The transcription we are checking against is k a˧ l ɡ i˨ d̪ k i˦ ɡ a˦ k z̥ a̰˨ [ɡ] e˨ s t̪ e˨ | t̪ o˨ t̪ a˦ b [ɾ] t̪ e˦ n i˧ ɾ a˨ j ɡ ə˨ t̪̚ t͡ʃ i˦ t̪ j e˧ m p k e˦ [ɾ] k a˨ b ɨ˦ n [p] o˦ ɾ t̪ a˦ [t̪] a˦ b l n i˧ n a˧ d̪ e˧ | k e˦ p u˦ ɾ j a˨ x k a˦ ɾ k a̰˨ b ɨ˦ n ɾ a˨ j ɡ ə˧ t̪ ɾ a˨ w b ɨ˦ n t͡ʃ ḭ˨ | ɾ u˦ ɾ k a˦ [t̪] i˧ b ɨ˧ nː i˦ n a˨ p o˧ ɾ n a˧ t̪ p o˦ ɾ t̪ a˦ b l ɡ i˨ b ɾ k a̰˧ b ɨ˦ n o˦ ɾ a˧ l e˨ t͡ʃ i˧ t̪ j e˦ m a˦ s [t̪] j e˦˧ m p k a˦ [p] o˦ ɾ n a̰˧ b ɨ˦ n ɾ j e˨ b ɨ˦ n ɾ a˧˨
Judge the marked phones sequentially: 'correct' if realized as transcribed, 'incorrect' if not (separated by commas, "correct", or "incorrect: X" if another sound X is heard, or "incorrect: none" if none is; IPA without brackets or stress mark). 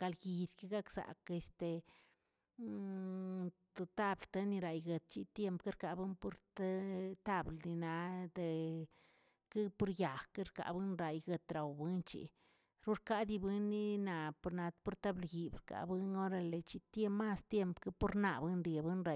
incorrect: k, incorrect: l, correct, correct, correct, incorrect: d̪, correct, correct